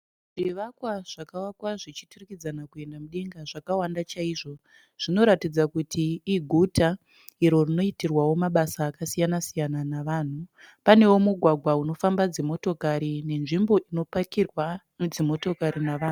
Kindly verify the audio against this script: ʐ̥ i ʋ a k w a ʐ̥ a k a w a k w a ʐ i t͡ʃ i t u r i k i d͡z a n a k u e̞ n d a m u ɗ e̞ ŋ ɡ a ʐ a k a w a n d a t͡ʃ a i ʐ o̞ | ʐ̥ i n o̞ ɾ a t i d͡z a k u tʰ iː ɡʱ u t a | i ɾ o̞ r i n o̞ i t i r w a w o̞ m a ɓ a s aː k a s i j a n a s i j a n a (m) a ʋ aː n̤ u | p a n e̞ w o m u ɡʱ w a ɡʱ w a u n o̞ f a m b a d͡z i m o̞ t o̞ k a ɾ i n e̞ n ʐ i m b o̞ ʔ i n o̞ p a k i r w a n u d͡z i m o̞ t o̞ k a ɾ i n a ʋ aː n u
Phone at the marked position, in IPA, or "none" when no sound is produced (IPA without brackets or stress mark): n